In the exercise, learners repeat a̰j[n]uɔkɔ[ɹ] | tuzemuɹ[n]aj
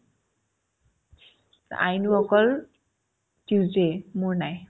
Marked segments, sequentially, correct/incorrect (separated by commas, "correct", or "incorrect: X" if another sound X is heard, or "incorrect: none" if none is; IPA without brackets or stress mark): correct, incorrect: l, correct